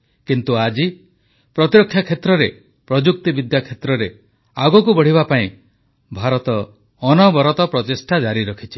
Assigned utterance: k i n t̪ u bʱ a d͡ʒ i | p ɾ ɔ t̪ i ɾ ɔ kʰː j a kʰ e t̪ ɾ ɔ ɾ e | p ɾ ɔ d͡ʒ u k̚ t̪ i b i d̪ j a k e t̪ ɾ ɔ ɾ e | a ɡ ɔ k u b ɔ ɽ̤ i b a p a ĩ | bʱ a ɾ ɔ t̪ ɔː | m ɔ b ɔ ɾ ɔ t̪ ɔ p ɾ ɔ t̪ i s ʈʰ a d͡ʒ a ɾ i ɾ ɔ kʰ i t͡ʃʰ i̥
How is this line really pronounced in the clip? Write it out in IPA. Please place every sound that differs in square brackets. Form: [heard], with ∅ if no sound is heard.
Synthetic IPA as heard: k i n t̪ u [∅] a d͡ʒ i | p ɾ ɔ t̪ i ɾ ɔ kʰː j a kʰ e t̪ ɾ ɔ ɾ e | p ɾ ɔ d͡ʒ u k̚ t̪ i b i d̪ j a [kʰ] e t̪ ɾ ɔ ɾ e | a ɡ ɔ k u b ɔ ɽ̤ i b a p a ĩ | bʱ a ɾ ɔ t̪ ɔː | [n] ɔ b ɔ ɾ ɔ t̪ ɔ p ɾ ɔ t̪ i s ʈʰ a d͡ʒ a ɾ i ɾ ɔ kʰ i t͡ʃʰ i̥